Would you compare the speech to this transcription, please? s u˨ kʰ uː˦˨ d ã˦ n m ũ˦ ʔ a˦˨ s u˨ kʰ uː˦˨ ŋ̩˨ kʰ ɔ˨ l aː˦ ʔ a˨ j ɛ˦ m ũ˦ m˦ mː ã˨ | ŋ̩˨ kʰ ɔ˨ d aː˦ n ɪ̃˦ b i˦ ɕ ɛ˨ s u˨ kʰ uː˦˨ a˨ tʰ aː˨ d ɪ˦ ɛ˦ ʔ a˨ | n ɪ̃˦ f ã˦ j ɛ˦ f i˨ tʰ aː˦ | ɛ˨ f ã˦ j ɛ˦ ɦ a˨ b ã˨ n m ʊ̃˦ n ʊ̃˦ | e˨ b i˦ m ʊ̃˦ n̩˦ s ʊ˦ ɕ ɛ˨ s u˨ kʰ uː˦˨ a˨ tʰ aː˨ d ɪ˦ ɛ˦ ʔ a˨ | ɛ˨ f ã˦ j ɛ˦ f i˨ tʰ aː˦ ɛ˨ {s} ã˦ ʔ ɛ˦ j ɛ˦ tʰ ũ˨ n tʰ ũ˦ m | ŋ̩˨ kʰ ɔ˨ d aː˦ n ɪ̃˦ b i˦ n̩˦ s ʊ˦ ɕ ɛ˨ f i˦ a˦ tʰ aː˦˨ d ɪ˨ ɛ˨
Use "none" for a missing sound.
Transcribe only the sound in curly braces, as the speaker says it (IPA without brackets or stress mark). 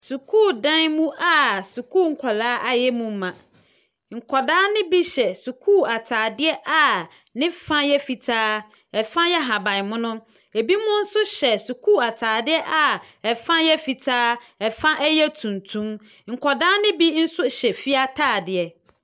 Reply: f